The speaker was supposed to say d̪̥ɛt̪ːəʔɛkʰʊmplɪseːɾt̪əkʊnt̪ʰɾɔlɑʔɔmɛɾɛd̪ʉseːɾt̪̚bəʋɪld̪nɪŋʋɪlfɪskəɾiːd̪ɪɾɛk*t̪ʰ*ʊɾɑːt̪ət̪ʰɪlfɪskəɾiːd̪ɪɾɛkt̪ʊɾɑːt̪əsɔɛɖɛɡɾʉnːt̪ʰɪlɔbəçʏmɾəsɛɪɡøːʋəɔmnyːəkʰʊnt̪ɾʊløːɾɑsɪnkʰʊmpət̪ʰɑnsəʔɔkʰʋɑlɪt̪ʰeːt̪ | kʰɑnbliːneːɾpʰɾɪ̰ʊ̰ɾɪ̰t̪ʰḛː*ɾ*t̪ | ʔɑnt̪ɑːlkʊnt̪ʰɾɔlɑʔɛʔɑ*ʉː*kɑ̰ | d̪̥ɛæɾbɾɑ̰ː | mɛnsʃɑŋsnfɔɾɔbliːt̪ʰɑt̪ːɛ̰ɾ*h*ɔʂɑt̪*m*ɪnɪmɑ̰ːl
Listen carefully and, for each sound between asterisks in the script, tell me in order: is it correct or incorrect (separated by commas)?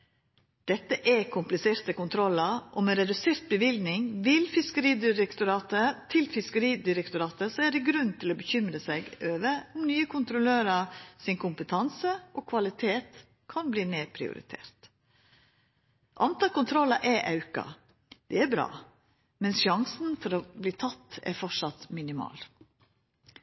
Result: incorrect, correct, incorrect, incorrect, correct